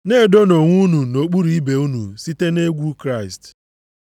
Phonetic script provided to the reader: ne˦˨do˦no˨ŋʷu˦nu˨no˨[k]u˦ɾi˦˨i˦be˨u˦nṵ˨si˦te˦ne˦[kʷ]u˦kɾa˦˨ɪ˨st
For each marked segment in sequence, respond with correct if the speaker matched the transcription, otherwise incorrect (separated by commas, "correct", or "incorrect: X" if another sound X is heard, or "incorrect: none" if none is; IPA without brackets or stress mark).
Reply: incorrect: k͡p, incorrect: ɡʷ